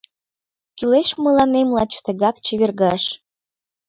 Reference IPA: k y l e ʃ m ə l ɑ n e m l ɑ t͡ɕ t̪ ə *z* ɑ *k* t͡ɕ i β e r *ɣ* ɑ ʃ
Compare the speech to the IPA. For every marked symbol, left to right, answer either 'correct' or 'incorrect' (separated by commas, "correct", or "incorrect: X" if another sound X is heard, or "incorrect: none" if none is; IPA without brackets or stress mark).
incorrect: ɣ, correct, correct